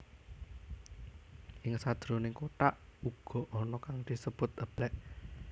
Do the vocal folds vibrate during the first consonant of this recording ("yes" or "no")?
yes